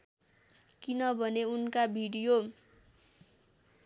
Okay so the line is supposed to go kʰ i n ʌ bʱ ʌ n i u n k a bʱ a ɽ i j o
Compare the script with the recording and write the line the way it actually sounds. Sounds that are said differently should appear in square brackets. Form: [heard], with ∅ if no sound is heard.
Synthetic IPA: [k] i n ʌ bʱ ʌ n [e] u n k a bʱ [i] ɽ i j o